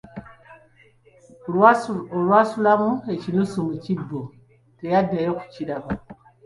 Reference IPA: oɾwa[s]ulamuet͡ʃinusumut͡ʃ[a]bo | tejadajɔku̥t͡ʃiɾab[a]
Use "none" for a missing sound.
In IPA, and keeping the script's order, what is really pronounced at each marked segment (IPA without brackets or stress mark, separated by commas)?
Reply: s, i, a